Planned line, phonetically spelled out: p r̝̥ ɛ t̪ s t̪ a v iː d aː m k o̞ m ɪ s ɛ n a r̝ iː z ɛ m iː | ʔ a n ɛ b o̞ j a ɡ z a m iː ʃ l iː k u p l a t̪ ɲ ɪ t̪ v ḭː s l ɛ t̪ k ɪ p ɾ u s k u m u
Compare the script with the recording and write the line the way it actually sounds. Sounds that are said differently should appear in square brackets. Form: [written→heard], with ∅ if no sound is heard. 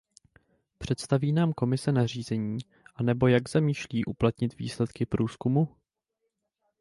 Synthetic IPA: p r̝̥ ɛ t̪ s t̪ a v iː [d→n] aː m k o̞ m ɪ s ɛ n a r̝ iː z ɛ [m→ɲ] iː | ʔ a n ɛ b o̞ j a ɡ z a m iː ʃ l iː [k→ʔ] u p l a t̪ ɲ ɪ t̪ v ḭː s l ɛ t̪ k ɪ p ɾ [u→uː] s k u m u

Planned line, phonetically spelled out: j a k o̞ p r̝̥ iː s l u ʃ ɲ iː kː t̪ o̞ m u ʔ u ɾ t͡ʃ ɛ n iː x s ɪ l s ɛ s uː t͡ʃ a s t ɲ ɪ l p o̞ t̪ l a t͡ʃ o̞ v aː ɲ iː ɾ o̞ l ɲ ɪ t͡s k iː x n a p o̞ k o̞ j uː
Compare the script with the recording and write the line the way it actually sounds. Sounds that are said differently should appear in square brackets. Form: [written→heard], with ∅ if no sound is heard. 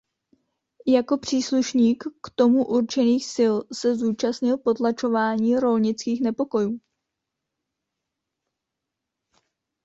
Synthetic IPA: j a k o̞ p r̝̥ iː s l u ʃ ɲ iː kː t̪ o̞ m u ʔ u ɾ t͡ʃ ɛ n iː x s ɪ l s ɛ [s→z] uː t͡ʃ a s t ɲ ɪ l p o̞ t̪ l a t͡ʃ o̞ v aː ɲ iː ɾ o̞ l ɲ ɪ t͡s k iː x n [a→ɛ] p o̞ k o̞ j uː

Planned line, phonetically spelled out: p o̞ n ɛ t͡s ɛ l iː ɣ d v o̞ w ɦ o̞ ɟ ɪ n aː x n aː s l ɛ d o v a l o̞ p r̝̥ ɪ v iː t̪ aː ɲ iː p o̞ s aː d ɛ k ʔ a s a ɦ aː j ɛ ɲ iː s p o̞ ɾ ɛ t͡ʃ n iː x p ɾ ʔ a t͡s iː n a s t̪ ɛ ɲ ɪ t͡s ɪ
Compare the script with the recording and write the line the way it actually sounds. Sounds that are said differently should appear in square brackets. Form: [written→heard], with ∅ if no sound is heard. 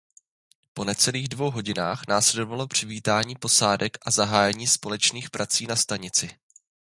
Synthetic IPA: p o̞ n ɛ t͡s ɛ l iː ɣ d v o̞ w ɦ o̞ ɟ ɪ n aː x n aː s l ɛ d o v a l o̞ p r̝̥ ɪ v iː t̪ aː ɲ iː p o̞ s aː d ɛ k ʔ a [s→z] a ɦ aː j ɛ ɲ iː s p o̞ [ɾ→l] ɛ t͡ʃ n iː x p ɾ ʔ a t͡s iː n a s t̪ [ɛ→a] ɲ ɪ t͡s ɪ

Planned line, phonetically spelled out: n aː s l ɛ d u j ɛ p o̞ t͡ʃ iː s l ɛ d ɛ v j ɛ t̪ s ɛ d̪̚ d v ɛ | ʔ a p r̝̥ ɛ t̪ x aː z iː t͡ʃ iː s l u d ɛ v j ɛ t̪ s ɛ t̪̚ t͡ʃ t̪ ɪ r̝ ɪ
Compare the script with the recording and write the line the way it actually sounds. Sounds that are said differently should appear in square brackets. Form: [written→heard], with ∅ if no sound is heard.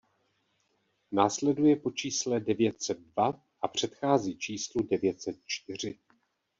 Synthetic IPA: n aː s l ɛ d u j ɛ p o̞ t͡ʃ iː s l ɛ d ɛ v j ɛ t̪ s ɛ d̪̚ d v [ɛ→a] | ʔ a p r̝̥ ɛ t̪ x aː z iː t͡ʃ iː s l u d ɛ v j ɛ t̪ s ɛ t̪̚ t͡ʃ t̪ ɪ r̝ ɪ

